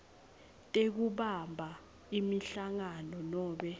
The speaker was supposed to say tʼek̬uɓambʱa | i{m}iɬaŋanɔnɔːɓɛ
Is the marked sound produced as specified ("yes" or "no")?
yes